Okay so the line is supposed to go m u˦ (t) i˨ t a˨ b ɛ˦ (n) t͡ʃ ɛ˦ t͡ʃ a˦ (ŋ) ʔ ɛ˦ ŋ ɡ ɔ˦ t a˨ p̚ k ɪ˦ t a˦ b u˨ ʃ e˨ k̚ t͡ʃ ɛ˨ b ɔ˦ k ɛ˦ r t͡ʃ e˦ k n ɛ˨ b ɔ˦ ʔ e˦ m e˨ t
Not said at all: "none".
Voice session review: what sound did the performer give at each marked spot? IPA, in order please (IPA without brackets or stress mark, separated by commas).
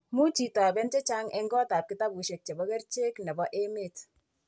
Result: t͡ʃ, n, ŋ